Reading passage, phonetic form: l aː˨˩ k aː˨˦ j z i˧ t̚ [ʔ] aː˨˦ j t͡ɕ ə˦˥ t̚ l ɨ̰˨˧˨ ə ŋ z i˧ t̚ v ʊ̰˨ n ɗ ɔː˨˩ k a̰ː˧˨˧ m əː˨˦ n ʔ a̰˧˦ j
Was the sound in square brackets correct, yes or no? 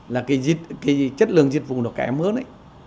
no